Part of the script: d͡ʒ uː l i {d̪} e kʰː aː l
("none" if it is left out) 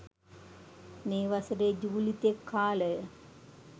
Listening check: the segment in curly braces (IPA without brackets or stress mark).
t̪